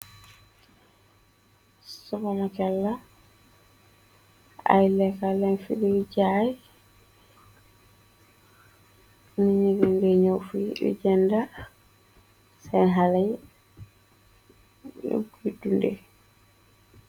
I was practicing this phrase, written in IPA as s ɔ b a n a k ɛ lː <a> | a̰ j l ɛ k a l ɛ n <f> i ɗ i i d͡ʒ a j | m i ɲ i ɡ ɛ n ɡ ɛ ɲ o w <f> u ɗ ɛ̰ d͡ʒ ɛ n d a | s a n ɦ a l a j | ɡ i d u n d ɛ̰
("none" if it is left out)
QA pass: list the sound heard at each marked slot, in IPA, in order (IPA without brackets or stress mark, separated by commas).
a, f, f